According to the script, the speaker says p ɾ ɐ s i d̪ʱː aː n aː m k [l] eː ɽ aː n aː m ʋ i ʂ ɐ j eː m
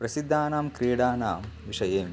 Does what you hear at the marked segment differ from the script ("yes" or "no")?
yes